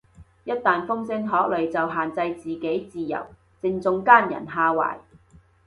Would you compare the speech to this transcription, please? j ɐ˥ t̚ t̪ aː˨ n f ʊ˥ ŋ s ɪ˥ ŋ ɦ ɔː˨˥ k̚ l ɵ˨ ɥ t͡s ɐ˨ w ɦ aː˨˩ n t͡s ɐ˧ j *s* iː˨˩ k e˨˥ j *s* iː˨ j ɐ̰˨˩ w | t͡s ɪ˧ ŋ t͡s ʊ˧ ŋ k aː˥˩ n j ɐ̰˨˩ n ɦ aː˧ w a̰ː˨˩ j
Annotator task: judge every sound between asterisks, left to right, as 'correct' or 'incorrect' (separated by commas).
incorrect, incorrect